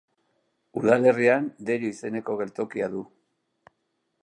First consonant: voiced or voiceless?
voiced